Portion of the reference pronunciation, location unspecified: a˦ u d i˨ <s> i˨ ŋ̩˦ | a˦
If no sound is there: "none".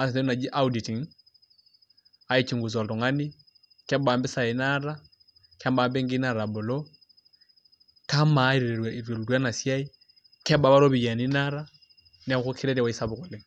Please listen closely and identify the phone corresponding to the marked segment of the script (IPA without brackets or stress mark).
t